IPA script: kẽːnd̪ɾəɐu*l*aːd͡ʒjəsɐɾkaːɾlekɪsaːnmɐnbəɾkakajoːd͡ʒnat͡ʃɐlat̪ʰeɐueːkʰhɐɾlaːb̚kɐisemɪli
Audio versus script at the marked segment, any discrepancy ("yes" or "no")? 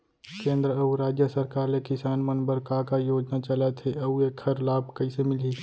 yes